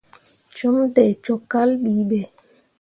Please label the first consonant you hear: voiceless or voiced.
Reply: voiceless